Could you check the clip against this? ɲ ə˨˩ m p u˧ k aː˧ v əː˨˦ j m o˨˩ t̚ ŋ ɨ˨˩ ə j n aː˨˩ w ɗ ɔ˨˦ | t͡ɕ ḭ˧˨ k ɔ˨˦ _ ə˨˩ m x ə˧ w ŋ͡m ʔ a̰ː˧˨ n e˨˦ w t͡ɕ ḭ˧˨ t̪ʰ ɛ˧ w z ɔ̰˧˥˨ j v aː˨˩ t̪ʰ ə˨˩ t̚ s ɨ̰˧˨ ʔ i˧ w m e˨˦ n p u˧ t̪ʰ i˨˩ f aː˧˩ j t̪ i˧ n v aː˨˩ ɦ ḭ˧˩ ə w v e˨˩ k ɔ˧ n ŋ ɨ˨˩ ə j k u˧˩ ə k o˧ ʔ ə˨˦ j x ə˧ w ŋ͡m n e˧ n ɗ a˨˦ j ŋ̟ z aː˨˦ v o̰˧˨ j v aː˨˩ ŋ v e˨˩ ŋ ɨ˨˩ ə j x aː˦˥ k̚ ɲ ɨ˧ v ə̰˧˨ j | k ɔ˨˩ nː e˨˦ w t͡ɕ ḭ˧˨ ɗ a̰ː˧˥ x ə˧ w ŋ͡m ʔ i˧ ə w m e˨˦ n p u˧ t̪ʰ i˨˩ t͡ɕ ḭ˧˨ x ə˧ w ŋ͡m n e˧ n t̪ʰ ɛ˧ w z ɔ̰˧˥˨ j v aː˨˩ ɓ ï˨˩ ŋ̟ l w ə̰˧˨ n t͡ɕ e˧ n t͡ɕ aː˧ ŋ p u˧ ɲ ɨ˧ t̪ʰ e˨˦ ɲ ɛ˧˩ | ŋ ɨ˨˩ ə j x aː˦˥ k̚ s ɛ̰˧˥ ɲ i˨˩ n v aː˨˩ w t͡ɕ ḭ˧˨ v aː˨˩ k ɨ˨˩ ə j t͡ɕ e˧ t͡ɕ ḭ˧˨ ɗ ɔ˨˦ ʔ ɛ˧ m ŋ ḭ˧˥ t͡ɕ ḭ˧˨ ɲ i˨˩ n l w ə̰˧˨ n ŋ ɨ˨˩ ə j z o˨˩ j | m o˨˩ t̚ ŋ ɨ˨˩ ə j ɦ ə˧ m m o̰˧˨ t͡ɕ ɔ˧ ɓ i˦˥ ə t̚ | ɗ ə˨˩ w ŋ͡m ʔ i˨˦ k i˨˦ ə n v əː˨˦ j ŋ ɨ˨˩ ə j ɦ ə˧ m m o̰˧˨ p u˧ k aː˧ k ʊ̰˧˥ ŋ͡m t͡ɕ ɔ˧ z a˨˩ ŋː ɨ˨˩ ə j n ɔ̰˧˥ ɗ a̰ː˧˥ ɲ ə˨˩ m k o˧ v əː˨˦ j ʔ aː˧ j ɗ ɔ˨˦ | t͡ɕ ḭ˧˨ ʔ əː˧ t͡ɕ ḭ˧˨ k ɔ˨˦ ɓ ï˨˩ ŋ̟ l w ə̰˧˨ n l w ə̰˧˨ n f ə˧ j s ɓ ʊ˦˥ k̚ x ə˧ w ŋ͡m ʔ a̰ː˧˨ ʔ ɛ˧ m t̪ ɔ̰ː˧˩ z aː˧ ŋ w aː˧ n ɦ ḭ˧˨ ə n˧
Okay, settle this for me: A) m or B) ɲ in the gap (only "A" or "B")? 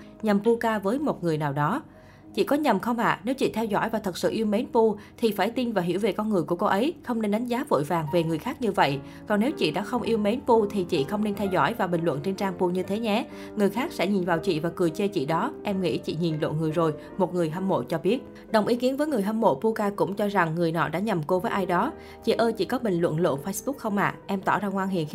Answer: B